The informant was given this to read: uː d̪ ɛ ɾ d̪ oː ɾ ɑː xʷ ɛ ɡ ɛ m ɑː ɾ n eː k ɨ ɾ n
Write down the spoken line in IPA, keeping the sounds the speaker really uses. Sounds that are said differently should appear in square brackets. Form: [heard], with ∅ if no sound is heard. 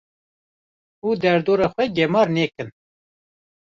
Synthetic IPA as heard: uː d̪ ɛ ɾ d̪ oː ɾ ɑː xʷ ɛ ɡ ɛ m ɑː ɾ n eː k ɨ [∅] n